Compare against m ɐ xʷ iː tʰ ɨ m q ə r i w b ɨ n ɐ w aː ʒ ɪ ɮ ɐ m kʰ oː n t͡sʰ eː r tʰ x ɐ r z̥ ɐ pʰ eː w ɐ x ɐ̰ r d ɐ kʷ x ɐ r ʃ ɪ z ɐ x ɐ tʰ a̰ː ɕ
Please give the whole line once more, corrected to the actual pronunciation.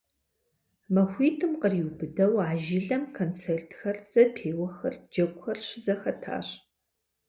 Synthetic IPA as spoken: m ɐ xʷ iː tʰ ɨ m q ə r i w b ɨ d ɐ w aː ʒ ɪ ɮ ɐ m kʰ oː n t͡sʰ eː r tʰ x ɐ r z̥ ɐ pʰ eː w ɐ x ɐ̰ r d͡ʒ ɐ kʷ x ɐ r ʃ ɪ z ɐ x ɐ tʰ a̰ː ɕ

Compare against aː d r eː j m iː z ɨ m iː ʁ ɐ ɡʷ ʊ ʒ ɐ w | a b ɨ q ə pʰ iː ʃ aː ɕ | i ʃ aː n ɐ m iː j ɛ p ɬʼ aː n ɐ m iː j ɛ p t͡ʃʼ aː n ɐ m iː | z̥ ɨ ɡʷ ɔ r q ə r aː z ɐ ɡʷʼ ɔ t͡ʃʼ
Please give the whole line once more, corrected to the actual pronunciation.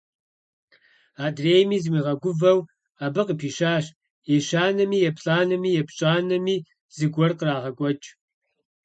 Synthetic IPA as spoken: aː d r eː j m iː z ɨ m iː ʁ ɐ ɡʷ ʊ v ɐ w | a b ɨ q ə pʰ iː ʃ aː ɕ | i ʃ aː n ɐ m iː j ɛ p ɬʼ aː n ɐ m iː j ɛ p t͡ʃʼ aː n ɐ m iː | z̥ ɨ ɡʷ ɔ r q ə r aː ʁ ɐ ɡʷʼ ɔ t͡ʃʼ

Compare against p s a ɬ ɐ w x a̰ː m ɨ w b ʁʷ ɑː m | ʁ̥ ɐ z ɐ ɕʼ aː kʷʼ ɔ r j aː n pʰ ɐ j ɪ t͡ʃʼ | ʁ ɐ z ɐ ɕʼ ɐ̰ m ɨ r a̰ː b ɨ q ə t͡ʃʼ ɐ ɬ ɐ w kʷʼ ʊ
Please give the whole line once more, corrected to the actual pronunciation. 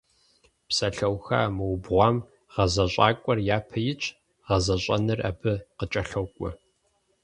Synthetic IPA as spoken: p s ɐ ɬ ɐ w x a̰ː m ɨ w b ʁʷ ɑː m | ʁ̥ ɐ z ɐ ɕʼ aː kʷʼ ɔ r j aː pʰ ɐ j ɪ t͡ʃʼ | ʁ ɐ z ɐ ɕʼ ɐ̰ n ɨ r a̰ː b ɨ q ə t͡ʃʼ ɐ ɬ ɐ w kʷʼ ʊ

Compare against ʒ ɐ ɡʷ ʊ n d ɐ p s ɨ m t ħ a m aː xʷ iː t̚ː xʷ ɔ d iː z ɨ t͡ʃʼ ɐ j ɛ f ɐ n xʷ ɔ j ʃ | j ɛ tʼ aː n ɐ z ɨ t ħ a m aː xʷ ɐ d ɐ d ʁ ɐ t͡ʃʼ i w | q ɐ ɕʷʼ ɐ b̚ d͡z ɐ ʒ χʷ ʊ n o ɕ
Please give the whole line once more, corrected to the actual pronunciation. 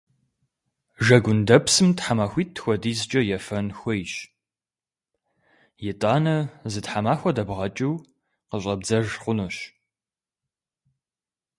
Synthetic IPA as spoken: ʒ ɐ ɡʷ ʊ n d ɐ p s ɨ m t ħ a m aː xʷ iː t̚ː xʷ ɔ d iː z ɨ t͡ʃʼ ɐ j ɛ f ɐ n xʷ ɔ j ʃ | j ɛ tʼ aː n ɐ z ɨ t ħ a m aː xʷ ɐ d ɐ b ʁ ɐ t͡ʃʼ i w | q ə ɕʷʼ ɐ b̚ d͡z ɐ ʒ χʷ ʊ n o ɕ

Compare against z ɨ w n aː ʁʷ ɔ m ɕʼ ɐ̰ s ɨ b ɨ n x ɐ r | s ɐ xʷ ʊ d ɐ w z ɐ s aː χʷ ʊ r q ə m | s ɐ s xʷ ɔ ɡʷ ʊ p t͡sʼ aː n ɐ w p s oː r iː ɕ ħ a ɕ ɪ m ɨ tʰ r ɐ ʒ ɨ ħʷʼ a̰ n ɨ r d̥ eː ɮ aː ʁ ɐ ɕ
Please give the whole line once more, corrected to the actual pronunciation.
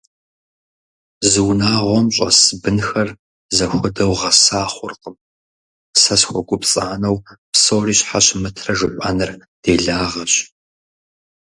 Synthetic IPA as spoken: z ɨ w n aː ʁʷ ɔ m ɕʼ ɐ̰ s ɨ b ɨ n x ɐ r | z ɐ xʷ ʊ d ɐ w ʁ ɐ s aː χʷ ʊ r q ə m | s ɐ s xʷ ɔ ɡʷ ʊ p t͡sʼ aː n ɐ w p s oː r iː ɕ ħ a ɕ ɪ m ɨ tʰ r ɐ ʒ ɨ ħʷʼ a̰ n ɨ r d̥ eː ɮ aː ʁ ɐ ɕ

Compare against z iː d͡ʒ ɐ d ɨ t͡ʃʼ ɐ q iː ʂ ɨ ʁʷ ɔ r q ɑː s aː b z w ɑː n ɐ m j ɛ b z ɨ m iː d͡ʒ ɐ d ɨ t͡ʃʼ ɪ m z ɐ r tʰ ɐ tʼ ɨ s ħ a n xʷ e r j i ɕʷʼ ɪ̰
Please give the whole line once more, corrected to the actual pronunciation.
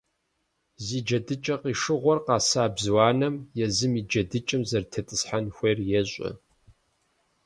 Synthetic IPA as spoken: z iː d͡ʒ ɐ d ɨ t͡ʃʼ ɐ q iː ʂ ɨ ʁʷ ɔ r q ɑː s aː b z w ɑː n ɐ m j ɛ z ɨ m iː d͡ʒ ɐ d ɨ t͡ʃʼ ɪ m z ɐ r tʰ ɐ tʼ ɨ s ħ a n xʷ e r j ɛ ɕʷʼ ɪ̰

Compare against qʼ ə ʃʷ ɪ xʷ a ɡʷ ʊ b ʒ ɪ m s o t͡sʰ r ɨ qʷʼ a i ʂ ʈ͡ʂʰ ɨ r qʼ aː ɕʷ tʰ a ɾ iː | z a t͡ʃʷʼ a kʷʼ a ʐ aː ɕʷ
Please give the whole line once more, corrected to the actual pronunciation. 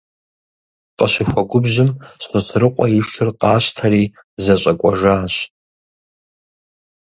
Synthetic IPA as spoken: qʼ ə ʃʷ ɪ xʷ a ɡʷ ʊ b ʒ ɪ m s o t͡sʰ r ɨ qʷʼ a i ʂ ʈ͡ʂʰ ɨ r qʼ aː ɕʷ tʰ a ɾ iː | z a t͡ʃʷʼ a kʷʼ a ʐ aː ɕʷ

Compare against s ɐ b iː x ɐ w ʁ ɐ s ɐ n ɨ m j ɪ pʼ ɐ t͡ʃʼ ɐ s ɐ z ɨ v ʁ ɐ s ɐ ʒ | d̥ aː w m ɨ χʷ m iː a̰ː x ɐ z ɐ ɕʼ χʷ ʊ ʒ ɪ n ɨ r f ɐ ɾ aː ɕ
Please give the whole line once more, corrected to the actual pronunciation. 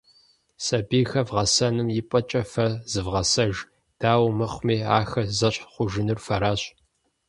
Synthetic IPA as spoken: s ɐ b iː x ɐ v ʁ ɐ s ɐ n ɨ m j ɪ pʼ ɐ t͡ʃʼ ɐ f ɐ z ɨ v ʁ ɐ s ɐ ʒ | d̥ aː w m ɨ χʷ m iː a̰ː x ɐ z ɐ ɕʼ χʷ ʊ ʒ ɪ n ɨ r f ɐ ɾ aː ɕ

